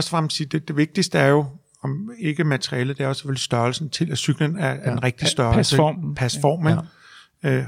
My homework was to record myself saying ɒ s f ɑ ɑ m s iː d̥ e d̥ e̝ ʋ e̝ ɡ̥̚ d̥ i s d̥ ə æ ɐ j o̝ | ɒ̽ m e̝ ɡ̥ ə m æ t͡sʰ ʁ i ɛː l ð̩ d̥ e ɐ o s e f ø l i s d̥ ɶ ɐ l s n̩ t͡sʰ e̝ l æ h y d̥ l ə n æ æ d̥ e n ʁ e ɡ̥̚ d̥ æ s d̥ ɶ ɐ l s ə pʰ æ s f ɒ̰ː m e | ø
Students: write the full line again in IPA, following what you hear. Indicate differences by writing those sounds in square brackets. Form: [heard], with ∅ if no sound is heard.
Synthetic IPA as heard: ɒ s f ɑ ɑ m s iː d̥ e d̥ e̝ ʋ e̝ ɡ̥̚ d̥ i s d̥ ə æ ɐ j o̝ | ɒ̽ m e̝ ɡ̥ ə m æ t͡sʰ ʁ i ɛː l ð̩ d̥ e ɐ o s e f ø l i s d̥ ɶ ɐ l s n̩ t͡sʰ e̝ l æ [s] y [ɡ̥] l ə n æ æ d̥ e n ʁ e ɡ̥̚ d̥ [i] s d̥ ɶ ɐ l s ə pʰ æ s f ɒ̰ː m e | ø